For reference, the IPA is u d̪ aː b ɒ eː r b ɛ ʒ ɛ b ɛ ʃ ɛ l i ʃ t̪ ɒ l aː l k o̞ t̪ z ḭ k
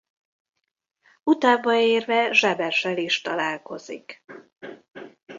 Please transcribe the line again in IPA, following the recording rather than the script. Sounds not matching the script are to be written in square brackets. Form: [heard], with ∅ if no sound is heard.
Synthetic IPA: u [t̪] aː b ɒ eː r [v] ɛ ʒ ɛ b ɛ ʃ ɛ l i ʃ t̪ ɒ l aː l k o̞ [∅] z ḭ k